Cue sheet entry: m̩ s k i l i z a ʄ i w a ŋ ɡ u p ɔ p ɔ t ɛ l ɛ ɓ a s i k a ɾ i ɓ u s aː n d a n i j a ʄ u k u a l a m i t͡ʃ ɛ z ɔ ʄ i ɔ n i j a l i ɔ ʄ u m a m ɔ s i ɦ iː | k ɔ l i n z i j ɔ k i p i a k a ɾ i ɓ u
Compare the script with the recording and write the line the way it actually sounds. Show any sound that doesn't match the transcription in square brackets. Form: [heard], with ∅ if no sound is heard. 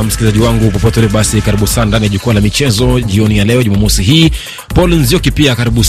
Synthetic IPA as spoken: m̩ s k i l i z a ʄ i w a ŋ ɡ u p ɔ p ɔ t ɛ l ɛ ɓ a s i k a ɾ i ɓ u s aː n d a n i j a ʄ u k u a l a m i t͡ʃ ɛ z ɔ ʄ i ɔ n i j a l [ɛ] ɔ ʄ u m a m ɔ s i ɦ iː | [p] ɔ l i n z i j ɔ k i p i a k a ɾ i ɓ u